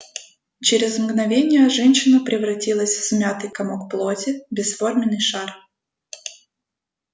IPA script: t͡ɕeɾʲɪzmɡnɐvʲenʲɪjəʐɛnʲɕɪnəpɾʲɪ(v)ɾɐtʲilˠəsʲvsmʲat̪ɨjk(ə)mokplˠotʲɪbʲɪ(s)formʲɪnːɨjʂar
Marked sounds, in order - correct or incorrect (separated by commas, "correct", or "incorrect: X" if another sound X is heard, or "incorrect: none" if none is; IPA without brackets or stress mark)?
correct, incorrect: ɐ, correct